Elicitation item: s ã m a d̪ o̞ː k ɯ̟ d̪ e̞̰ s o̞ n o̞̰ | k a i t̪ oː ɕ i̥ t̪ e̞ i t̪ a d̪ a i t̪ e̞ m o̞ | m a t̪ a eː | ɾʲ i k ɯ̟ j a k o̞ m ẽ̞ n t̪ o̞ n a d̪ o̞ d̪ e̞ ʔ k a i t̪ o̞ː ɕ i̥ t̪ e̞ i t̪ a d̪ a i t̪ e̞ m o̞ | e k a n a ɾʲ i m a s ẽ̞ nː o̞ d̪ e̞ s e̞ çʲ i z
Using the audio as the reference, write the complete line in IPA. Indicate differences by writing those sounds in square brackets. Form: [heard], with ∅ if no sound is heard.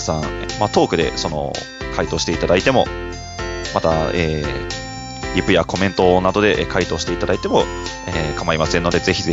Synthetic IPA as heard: s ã m a [t̪] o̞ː k ɯ̟ d̪ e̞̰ s o̞ n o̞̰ | k a i t̪ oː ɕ i̥ t̪ e̞ i t̪ a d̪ a i t̪ e̞ m o̞ | m a t̪ a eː | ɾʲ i [p] ɯ̟ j a k o̞ m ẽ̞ n t̪ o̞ n a d̪ o̞ d̪ e̞ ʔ k a i t̪ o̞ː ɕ i̥ t̪ e̞ i t̪ a d̪ a i t̪ e̞ m o̞ | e k a [m] a ɾʲ i m a s ẽ̞ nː o̞ d̪ e̞ [z] e̞ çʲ i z